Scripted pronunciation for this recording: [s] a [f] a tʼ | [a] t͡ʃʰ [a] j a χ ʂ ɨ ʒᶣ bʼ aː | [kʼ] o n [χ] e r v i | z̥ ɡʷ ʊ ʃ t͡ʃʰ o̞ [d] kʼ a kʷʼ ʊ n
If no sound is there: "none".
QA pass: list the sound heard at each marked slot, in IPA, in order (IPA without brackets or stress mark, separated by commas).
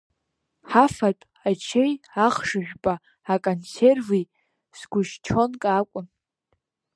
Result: ħ, f, a, e, kʼ, s, n